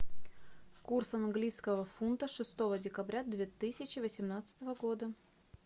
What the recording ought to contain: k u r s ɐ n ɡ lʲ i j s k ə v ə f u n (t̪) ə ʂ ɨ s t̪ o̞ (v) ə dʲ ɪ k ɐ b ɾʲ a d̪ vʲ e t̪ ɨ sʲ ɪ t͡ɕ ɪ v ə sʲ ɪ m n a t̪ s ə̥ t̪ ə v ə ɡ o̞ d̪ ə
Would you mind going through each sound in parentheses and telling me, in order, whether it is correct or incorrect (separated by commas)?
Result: correct, correct